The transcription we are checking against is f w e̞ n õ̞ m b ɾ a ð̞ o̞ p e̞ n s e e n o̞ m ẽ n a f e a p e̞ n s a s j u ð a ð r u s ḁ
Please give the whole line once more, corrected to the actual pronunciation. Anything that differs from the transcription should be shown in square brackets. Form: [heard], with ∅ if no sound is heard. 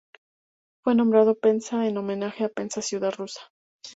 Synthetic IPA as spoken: f w e̞ n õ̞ m b ɾ a ð̞ o̞ p e̞ n s [a] e n o̞ m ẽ n a [x] e a p e̞ n s a s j u ð a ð r u s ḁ